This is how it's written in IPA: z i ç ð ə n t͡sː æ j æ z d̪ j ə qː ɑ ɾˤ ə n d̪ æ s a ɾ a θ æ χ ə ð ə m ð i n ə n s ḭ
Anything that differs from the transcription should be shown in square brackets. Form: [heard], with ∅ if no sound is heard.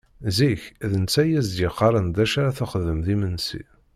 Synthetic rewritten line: z i ç ð ə n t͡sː æ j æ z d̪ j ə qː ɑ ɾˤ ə n d̪ æ [ʃ] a ɾ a θ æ χ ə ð ə m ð i [m] ə n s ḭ

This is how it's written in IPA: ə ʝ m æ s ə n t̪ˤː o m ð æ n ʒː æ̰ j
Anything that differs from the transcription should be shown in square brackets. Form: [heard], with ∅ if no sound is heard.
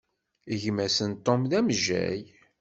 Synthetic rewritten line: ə ʝ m æ s ə n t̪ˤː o m ð æ [m] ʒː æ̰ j

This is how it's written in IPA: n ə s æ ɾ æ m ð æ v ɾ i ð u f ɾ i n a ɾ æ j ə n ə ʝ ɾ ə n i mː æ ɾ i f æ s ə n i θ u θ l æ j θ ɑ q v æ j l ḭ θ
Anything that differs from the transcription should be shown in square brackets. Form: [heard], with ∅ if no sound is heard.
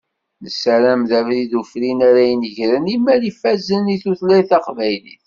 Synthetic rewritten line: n ə s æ ɾ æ m ð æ v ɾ i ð u f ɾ i n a ɾ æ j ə n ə ʝ ɾ ə n i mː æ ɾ i f æ [z] ə n i θ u θ l æ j θ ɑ q v æ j l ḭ θ

